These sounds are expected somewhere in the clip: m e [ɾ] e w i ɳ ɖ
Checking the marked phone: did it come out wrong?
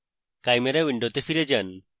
no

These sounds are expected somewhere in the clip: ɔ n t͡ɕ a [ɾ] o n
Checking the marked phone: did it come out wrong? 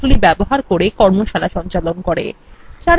yes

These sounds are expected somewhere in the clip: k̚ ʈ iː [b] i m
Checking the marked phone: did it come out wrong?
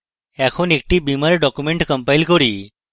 no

